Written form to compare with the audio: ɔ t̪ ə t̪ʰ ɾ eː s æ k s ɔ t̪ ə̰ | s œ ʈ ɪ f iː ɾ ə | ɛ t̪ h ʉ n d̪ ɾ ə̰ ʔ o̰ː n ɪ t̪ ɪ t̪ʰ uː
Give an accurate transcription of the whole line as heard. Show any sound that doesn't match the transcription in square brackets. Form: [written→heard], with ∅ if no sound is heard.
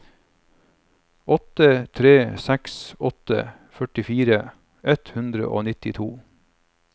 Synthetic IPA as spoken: ɔ t̪ ə t̪ʰ ɾ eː s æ k s ɔ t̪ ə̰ | [s→f] œ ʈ ɪ f iː ɾ ə | ɛ t̪ h ʉ n d̪ ɾ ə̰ ʔ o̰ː n ɪ t̪ ɪ t̪ʰ uː